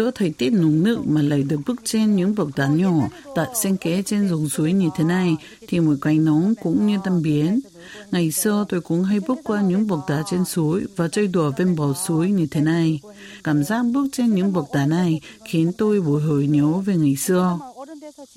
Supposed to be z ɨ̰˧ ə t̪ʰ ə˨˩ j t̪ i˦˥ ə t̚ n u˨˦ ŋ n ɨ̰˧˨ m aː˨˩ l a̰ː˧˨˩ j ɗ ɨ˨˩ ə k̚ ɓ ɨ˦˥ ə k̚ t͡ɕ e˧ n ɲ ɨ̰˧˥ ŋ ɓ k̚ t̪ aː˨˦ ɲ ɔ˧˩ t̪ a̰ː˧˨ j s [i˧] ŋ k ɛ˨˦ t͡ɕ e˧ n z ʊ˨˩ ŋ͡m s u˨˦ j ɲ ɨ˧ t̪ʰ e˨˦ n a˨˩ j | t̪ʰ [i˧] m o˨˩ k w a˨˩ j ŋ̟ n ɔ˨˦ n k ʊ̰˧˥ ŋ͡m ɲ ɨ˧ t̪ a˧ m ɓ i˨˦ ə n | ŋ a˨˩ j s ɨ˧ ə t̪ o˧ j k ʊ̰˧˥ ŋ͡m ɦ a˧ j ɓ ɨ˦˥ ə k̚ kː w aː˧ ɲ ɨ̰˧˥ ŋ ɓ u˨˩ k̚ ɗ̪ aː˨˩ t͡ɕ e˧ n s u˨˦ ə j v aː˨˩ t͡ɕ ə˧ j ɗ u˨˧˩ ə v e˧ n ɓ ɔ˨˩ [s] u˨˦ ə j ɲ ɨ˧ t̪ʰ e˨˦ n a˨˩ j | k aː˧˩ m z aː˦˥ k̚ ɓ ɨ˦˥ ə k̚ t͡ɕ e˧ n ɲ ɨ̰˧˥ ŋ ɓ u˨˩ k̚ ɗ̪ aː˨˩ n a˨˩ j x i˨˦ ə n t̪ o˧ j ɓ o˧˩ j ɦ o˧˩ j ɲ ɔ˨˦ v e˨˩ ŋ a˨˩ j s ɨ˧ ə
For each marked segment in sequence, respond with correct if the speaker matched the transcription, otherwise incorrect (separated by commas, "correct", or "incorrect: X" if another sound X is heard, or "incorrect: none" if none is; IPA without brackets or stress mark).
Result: incorrect: ɛ˧, incorrect: i˨˩, correct